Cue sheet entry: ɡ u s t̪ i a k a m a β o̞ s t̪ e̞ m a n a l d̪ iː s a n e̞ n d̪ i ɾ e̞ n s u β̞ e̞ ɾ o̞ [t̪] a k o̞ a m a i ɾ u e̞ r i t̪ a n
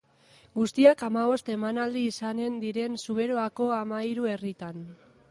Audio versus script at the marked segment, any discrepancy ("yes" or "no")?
yes